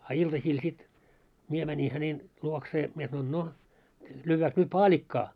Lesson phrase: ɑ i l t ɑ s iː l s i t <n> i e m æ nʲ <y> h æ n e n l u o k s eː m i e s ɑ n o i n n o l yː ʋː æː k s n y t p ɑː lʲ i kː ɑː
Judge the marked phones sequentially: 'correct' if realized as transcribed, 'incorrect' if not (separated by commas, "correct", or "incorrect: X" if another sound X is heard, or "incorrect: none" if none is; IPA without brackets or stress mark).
incorrect: m, incorrect: i